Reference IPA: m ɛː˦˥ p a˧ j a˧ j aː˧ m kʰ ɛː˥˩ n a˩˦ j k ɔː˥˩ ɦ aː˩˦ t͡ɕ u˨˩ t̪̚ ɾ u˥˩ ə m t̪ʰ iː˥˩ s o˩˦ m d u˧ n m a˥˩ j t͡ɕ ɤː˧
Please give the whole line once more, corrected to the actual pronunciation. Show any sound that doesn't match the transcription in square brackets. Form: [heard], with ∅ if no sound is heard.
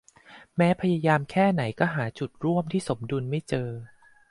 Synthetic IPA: m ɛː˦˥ [pʰ] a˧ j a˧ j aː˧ m kʰ ɛː˥˩ n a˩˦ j k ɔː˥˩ ɦ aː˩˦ t͡ɕ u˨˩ t̪̚ ɾ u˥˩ ə m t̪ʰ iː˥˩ s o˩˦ m d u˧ n m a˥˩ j t͡ɕ ɤː˧